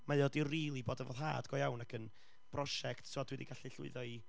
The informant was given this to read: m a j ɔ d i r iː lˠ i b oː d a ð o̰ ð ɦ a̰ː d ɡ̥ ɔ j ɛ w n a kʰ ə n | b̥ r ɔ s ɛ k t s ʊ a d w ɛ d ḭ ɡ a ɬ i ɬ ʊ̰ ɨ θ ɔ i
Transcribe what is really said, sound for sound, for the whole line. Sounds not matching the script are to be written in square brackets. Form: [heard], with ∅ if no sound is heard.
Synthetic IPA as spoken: m a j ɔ d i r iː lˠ i b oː d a [v] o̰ ð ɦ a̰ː d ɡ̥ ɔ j [a] w n a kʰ ə n | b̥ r ɔ [ʃ] ɛ k t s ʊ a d w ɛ d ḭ ɡ a ɬ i ɬ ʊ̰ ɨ [ð] ɔ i